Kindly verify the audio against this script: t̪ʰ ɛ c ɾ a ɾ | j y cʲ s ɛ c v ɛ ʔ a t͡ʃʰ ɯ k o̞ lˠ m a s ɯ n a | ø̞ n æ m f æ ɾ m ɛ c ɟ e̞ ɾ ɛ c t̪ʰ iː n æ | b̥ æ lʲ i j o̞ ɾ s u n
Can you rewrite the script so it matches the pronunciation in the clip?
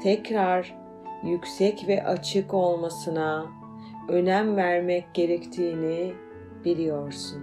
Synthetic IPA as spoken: t̪ʰ ɛ c ɾ a ɾ | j y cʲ s ɛ c v ɛ ʔ a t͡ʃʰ ɯ k o̞ lˠ m a s ɯ n a | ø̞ n æ m v æ ɾ m ɛ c ɟ e̞ ɾ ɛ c t̪ʰ iː n i | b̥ i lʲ i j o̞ ɾ s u n